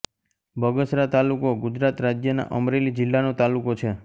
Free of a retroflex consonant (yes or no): yes